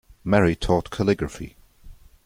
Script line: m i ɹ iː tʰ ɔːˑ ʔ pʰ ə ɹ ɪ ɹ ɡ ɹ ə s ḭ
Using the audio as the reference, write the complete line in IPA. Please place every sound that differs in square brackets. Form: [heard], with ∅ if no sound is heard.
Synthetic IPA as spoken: m [ɛ] ɹ [i] tʰ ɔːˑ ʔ [kʰ] ə [l] ɪ [∅] ɡ ɹ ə [f] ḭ